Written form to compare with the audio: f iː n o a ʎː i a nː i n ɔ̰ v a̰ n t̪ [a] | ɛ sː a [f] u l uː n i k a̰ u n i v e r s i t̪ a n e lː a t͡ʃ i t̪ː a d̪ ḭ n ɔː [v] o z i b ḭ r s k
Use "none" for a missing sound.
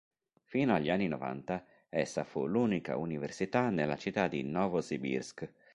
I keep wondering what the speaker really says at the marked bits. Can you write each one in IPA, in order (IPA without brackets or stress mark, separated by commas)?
a, f, v